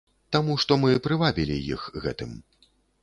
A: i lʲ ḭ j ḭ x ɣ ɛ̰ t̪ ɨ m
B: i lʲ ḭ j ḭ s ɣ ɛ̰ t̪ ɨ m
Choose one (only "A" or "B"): A